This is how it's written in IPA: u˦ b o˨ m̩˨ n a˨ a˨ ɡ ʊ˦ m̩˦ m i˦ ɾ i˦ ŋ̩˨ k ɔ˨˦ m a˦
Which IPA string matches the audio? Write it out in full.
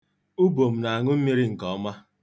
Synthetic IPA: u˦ b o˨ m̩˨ n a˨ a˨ ŋ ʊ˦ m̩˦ m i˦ ɾ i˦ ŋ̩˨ k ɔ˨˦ m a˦